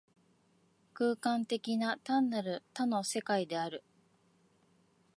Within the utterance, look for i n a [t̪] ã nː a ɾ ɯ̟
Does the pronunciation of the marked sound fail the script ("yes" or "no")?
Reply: no